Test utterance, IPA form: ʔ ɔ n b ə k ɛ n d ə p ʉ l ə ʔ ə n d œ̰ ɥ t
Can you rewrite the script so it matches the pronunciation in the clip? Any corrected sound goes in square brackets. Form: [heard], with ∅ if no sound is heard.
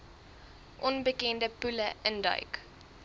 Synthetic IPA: ʔ ɔ n b ə k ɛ n d ə p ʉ l ə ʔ ə n d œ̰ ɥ [k]

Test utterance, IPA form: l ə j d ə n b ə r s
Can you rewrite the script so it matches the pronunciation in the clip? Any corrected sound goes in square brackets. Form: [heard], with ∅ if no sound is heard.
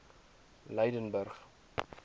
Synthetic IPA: l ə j d ə n b ə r [χ]

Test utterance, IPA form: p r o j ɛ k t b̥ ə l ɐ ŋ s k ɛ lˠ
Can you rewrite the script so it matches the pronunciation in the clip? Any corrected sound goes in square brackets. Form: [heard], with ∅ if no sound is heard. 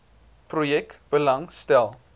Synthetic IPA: p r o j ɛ k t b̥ ə l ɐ ŋ s [t] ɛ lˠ

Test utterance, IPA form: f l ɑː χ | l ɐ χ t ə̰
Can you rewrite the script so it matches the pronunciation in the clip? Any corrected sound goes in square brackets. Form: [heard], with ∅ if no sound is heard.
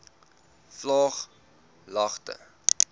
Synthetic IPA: f l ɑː χ | l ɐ χ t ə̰

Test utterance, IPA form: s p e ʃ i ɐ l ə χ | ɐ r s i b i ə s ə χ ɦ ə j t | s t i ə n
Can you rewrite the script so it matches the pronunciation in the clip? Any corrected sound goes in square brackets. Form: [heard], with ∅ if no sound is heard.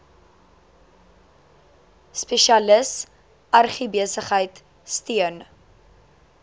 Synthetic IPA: s p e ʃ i ɐ l ə [s] | ɐ r [χ] i b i ə s ə χ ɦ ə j t | s t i ə n

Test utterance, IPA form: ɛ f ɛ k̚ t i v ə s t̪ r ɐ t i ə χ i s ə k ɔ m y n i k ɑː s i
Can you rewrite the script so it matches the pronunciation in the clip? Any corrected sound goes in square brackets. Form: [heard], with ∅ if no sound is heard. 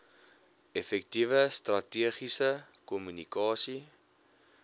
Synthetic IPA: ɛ f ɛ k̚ t i v ə s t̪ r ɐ t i ə χ i s ə k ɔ m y n i k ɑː s i

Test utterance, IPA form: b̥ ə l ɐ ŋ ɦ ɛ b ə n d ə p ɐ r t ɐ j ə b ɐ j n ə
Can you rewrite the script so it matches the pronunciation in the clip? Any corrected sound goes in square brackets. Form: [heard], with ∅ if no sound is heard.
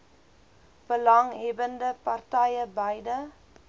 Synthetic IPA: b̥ ə l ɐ ŋ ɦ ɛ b ə n d ə p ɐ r t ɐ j ə b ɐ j [d] ə

